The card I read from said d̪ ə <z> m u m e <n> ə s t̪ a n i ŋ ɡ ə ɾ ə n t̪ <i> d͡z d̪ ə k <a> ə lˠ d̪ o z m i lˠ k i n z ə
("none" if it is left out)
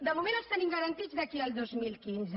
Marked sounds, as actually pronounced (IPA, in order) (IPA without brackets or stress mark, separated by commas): none, n, i, i